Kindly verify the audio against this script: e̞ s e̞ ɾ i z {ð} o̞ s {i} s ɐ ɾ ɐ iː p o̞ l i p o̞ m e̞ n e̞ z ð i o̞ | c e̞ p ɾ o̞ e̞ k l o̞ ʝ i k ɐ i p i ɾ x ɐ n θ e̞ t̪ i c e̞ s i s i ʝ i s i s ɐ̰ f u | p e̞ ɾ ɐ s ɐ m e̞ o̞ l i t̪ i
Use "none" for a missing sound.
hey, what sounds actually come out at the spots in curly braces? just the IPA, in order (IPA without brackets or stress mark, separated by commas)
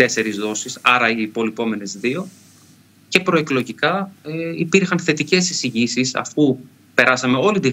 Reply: ð, i